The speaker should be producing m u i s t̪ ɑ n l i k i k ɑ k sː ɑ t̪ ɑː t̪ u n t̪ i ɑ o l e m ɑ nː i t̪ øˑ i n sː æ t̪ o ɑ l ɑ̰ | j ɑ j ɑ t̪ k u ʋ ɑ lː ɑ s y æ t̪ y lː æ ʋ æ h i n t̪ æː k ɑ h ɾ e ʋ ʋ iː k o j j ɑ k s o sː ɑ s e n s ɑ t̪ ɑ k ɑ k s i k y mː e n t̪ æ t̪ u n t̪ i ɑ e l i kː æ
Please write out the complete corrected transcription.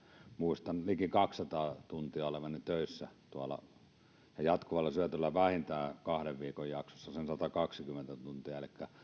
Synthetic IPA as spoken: m u i s t̪ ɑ n l i k i k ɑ k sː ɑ t̪ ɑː t̪ u n t̪ i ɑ o l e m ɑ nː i t̪ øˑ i sː æ t̪ u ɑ l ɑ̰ | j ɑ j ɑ t̪ k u ʋ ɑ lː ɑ s y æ t̪ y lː æ ʋ æ h i n t̪ æː k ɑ h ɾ e ʋ ʋ iː k o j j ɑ k s o sː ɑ s e n s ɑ t̪ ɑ k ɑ k s i k y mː e n t̪ æ t̪ u n t̪ i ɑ e l i kː æ